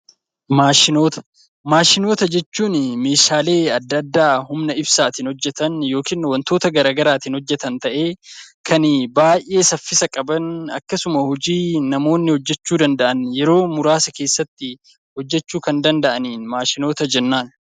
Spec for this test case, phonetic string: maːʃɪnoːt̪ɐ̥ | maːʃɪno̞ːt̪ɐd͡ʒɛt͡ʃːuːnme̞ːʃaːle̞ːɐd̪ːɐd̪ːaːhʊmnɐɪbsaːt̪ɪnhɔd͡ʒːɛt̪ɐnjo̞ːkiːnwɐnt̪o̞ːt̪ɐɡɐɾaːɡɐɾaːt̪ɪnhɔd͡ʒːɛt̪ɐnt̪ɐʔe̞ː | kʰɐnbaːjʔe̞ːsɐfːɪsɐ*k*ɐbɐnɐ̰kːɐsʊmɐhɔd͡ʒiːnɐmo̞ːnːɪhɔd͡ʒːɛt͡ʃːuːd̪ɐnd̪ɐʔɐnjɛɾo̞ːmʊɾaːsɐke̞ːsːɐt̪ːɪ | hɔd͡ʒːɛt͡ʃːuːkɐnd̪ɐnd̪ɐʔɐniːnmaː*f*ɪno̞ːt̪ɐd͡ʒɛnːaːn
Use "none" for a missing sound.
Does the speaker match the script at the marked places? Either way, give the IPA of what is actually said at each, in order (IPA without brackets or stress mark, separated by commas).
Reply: kʼ, ʃ